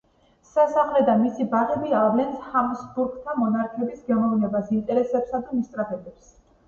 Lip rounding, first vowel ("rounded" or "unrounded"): unrounded